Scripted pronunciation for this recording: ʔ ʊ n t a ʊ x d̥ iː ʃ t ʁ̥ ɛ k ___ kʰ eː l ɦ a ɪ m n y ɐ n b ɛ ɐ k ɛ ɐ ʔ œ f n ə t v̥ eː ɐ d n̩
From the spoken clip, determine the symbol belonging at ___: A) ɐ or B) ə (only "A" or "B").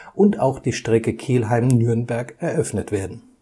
B